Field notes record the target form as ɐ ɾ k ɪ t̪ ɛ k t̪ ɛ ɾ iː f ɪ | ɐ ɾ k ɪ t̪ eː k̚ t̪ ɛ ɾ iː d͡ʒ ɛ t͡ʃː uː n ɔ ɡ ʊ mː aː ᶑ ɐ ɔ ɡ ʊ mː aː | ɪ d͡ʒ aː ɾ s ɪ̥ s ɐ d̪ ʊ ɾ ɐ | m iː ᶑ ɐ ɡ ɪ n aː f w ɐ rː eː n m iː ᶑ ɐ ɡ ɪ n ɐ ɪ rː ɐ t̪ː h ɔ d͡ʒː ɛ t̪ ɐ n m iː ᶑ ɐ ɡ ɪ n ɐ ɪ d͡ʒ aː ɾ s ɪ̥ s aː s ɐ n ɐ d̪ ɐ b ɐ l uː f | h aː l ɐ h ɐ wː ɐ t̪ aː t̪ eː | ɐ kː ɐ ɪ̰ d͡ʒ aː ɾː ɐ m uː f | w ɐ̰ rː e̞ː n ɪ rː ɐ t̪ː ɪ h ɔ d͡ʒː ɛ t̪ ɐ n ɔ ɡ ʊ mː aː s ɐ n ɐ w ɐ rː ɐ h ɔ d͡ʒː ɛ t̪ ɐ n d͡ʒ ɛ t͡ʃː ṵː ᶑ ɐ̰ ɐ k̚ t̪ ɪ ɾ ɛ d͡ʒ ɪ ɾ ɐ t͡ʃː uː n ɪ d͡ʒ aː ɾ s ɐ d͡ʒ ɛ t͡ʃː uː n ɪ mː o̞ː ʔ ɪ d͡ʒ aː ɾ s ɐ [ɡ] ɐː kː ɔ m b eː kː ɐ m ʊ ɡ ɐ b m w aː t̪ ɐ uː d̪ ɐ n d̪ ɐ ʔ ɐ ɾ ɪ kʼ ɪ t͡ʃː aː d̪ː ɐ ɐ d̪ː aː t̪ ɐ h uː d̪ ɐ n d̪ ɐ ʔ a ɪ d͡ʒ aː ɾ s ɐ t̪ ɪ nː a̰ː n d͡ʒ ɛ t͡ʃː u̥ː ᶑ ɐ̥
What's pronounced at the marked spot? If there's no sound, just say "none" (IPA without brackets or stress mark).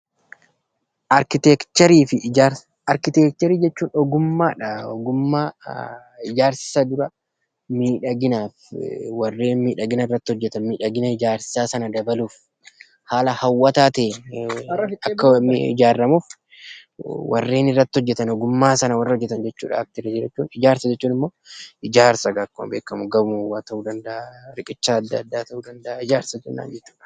ɡ